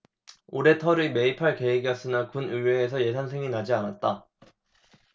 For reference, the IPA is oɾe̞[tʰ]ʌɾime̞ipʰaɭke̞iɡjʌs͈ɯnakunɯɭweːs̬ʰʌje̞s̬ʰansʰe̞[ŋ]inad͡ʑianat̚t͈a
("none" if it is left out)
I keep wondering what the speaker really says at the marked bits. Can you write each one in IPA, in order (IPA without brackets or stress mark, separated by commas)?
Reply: tʰ, ŋ